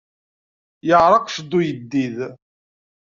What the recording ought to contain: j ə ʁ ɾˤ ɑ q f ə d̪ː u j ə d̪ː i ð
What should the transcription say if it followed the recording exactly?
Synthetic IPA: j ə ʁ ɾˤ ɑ q ʃ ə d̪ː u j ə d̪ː i ð